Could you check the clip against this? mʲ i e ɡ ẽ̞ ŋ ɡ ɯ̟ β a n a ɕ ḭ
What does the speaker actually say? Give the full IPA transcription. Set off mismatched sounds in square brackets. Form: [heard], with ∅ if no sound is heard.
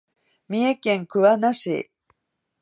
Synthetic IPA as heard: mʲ i e [k] ẽ̞ ŋ [k] ɯ̟ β a n a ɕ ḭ